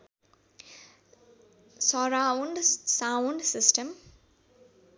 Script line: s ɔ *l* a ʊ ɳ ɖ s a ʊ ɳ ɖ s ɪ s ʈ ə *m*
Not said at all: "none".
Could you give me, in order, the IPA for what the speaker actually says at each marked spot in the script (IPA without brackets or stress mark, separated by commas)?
ɾ, m